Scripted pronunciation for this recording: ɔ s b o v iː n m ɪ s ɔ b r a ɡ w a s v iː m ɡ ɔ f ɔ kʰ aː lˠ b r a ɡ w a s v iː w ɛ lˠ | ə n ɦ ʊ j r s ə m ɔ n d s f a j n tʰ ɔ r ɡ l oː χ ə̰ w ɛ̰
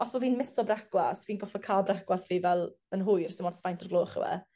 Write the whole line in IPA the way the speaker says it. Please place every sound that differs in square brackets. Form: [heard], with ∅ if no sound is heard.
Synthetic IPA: ɔ s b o v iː n m ɪ s ɔ b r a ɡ w a s v iː [n] ɡ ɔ f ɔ kʰ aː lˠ b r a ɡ w a s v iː [v] ɛ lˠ | ə n ɦ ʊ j r s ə m ɔ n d s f a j n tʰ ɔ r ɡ l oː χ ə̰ w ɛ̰